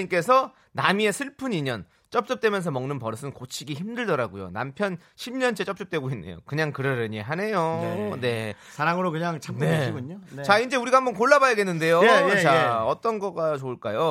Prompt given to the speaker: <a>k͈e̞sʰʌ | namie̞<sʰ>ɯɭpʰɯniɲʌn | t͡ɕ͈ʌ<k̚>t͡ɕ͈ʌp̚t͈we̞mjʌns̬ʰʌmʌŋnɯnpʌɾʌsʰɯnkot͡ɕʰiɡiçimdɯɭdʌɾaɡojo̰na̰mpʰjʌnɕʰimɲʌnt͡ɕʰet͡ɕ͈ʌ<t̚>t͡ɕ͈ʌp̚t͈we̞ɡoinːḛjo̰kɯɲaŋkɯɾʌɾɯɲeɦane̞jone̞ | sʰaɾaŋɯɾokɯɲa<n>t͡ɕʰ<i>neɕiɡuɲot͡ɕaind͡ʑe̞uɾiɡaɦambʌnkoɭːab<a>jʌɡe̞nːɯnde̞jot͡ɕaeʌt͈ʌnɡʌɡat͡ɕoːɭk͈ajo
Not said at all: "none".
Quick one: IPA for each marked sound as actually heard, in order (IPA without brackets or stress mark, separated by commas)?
i, sʰ, p̚, p̚, ŋ, a, a